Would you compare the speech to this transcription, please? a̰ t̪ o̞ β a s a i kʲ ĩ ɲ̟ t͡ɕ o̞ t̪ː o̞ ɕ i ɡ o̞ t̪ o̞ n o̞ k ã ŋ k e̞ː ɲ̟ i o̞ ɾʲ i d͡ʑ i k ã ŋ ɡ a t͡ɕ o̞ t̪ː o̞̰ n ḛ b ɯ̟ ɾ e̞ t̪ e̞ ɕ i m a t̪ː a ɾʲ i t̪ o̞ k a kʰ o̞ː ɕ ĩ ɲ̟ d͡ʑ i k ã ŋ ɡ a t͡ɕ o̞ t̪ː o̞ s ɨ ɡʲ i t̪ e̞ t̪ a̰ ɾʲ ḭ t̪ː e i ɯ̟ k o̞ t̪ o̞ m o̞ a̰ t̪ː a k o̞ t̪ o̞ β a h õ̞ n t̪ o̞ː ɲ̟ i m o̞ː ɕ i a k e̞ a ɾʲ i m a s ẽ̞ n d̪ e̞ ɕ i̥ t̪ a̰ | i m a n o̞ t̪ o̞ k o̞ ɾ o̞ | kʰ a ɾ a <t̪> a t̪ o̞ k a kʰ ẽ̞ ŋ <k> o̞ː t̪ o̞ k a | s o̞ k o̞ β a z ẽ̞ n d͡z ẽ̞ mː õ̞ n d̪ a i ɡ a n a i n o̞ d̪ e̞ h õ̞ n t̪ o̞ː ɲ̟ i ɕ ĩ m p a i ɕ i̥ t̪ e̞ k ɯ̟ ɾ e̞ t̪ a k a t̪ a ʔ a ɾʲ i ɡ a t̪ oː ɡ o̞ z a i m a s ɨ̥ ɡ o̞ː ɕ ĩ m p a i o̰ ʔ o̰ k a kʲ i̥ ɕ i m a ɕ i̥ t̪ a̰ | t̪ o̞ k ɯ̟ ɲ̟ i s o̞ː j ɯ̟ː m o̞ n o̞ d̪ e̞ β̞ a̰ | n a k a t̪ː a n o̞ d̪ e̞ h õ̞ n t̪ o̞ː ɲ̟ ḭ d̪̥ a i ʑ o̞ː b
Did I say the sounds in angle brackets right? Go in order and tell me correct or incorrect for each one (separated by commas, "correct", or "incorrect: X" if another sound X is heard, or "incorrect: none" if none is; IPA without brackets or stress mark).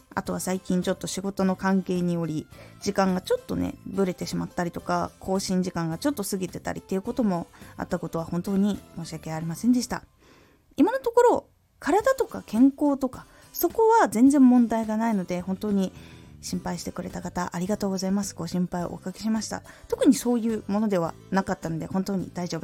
incorrect: d̪, correct